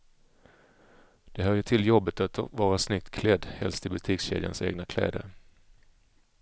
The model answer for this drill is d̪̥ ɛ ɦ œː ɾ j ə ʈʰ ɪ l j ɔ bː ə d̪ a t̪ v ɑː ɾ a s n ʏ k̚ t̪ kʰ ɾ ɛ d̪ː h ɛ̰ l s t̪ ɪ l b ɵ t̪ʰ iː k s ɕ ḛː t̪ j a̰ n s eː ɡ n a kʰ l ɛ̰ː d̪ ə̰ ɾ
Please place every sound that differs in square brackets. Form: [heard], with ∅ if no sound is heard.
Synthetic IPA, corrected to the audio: d̪̥ ɛ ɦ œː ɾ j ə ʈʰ ɪ l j ɔ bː ə [t̪] a t̪ v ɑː ɾ a s n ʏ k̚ t̪ kʰ [l] ɛ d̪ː h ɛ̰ l s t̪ ɪ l b ɵ t̪ʰ iː k s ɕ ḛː [d̪] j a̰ n s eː ɡ n a kʰ l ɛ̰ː d̪ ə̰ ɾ